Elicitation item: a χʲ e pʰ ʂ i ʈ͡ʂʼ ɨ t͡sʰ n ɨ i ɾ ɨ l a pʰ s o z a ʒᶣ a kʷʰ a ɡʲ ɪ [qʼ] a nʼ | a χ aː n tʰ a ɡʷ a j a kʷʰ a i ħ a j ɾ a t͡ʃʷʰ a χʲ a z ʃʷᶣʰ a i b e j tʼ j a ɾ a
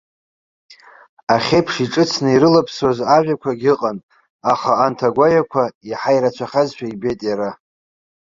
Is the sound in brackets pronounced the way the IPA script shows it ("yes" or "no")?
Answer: yes